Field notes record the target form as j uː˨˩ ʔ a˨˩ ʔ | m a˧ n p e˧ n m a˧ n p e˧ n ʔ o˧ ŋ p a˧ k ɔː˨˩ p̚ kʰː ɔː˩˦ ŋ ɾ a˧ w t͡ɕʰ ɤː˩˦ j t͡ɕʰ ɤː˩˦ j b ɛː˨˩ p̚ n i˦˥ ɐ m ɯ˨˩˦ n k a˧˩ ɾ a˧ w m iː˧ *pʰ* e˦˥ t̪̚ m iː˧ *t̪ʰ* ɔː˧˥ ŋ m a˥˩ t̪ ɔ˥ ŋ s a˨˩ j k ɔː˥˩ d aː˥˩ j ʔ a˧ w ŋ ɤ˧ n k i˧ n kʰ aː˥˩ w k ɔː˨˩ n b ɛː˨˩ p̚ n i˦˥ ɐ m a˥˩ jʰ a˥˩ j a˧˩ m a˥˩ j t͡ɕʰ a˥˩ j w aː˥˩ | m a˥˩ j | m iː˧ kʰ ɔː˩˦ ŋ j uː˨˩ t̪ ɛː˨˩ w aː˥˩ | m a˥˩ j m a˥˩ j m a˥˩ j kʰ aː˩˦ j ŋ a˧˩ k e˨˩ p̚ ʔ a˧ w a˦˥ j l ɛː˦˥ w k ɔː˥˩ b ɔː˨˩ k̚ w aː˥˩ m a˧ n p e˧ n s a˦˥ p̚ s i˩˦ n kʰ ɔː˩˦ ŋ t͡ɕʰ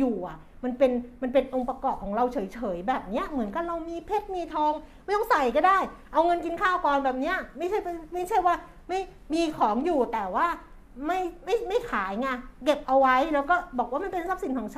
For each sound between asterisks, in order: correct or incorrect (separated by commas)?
correct, correct